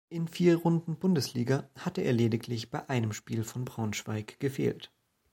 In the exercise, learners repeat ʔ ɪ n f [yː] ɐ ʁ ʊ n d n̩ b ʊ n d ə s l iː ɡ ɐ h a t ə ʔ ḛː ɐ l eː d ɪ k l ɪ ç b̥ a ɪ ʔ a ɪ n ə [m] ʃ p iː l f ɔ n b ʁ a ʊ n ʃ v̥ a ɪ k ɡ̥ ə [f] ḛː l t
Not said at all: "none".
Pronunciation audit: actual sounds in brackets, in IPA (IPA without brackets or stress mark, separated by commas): iː, m, f